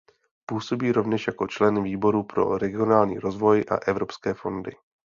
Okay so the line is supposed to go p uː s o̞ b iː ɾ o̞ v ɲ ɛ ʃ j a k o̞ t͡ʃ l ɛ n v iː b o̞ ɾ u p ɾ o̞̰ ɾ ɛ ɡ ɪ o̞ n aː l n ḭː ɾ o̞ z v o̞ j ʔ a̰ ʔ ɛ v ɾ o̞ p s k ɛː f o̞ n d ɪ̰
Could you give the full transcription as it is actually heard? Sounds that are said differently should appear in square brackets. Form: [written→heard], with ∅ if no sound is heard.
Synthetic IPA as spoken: p uː s o̞ b iː ɾ o̞ v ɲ ɛ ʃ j a k o̞ t͡ʃ l ɛ n v iː b o̞ ɾ u p ɾ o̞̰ ɾ ɛ ɡ ɪ o̞ n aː l [n→ɲ] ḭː ɾ o̞ z v o̞ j ʔ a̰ ʔ ɛ v ɾ o̞ p s k ɛː f o̞ n d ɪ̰